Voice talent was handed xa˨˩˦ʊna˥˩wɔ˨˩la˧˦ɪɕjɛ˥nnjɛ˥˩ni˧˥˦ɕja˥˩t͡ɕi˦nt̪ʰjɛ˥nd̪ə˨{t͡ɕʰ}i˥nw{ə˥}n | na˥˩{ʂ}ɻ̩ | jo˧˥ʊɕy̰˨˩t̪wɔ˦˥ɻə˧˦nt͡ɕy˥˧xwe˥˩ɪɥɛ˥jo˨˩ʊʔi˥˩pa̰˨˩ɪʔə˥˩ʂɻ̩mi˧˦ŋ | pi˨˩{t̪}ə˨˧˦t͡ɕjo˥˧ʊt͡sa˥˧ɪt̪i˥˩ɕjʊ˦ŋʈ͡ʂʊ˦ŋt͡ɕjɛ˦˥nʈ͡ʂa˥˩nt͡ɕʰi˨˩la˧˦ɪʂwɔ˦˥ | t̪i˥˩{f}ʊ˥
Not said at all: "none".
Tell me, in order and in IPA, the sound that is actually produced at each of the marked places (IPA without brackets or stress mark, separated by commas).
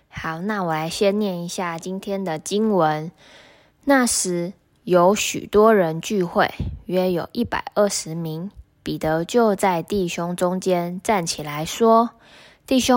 t͡ɕ, ə˧˦, ʂ, t̪, ɕ